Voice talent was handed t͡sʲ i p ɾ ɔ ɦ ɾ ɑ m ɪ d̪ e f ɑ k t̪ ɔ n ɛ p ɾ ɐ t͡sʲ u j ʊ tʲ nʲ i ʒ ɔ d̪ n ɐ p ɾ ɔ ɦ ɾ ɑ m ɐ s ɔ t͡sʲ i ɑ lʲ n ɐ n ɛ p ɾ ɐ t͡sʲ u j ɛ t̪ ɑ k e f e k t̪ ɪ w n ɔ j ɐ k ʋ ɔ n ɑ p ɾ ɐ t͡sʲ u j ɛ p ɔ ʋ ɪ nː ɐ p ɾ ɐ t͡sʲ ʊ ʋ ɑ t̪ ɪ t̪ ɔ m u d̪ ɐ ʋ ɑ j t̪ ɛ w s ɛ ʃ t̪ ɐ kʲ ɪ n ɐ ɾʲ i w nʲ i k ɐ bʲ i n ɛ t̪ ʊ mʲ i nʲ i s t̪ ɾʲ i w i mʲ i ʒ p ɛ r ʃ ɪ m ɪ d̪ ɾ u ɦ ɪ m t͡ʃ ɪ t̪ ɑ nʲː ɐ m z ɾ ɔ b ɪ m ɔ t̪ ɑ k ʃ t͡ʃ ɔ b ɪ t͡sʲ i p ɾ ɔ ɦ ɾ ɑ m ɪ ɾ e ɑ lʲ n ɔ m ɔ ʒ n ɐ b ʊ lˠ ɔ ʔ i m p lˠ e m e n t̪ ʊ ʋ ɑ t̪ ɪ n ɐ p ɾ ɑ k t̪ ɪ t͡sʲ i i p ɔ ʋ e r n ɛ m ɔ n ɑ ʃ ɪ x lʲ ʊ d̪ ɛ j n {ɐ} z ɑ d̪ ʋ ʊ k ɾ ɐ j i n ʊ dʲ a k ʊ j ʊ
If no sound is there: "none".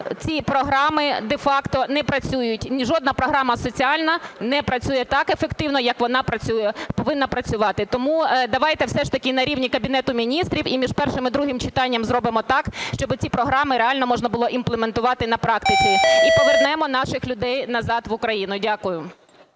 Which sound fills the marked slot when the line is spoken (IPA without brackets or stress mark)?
ɐ